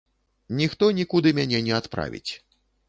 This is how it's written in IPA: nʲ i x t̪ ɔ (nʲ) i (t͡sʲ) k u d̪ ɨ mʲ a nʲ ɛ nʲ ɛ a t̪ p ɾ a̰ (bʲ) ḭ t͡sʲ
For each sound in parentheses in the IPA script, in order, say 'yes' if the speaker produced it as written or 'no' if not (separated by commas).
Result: yes, no, no